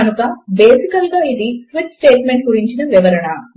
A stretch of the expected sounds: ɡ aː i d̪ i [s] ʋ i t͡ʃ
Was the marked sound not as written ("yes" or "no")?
no